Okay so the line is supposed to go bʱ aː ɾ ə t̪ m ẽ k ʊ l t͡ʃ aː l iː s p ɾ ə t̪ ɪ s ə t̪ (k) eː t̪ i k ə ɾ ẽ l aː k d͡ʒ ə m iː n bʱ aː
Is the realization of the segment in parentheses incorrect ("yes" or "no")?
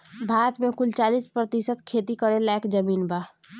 yes